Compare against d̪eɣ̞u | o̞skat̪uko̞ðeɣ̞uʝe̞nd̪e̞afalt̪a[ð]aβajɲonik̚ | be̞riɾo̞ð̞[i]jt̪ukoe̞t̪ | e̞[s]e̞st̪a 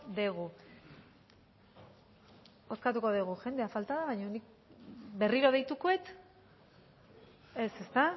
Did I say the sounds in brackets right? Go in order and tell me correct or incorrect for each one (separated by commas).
correct, incorrect, correct